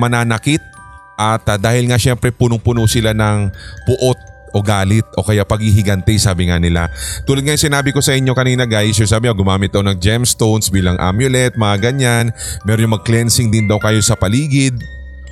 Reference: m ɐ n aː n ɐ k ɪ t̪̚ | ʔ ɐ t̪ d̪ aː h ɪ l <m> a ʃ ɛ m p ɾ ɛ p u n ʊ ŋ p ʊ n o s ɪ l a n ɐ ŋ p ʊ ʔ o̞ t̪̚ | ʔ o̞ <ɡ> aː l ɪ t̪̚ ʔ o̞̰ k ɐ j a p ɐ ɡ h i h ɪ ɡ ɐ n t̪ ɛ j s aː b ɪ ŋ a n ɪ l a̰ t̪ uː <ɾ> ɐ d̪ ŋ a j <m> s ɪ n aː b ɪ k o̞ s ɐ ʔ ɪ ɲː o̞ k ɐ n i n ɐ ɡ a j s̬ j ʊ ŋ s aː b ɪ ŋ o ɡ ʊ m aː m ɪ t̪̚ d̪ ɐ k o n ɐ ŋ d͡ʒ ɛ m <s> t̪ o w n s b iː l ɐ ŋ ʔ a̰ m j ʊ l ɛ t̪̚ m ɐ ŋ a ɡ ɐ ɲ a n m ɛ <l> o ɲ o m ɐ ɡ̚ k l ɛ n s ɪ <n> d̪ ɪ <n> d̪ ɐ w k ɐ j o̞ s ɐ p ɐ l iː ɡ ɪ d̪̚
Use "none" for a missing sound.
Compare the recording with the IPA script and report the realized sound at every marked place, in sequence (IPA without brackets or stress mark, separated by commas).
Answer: ŋ, ɡ, l, ŋ, s, ɾ, ŋ, n